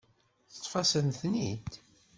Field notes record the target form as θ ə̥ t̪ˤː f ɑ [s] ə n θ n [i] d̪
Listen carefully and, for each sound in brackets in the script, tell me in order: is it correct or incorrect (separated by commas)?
correct, correct